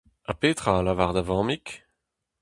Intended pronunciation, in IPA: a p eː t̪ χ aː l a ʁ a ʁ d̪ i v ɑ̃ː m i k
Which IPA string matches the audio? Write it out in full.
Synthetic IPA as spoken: a p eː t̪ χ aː l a v a ʁ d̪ a v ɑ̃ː m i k